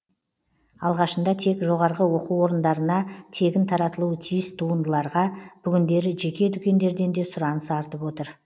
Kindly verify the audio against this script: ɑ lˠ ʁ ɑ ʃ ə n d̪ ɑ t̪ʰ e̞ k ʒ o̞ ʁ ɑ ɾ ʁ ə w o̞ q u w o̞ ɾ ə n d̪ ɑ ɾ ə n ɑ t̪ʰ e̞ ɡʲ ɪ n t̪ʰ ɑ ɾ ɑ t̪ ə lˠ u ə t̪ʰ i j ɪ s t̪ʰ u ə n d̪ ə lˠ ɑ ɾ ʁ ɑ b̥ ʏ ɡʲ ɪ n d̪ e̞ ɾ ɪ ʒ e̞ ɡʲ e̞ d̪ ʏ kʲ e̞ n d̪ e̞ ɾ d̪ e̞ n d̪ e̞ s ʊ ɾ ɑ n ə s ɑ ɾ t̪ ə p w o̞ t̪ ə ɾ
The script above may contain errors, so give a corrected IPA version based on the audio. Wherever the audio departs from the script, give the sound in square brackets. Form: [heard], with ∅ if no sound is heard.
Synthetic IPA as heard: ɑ lˠ ʁ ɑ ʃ ə n d̪ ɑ t̪ʰ e̞ k ʒ o̞ ʁ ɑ ɾ ʁ ə w o̞ q u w o̞ ɾ ə n d̪ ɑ ɾ ə n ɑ t̪ʰ e̞ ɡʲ ɪ n t̪ʰ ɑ ɾ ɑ t̪ ə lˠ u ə t̪ʰ i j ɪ s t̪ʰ u ə n d̪ ə lˠ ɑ ɾ ʁ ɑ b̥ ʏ ɡʲ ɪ n d̪ e̞ ɾ ɪ ʒ e̞ [kʲ] e̞ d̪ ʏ kʲ e̞ n d̪ e̞ ɾ d̪ e̞ n d̪ e̞ s ʊ ɾ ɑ n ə s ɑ ɾ t̪ ə p w o̞ t̪ ə ɾ